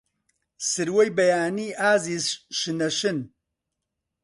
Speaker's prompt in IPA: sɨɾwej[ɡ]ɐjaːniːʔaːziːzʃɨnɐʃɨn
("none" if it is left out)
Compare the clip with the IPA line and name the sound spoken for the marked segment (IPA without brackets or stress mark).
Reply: b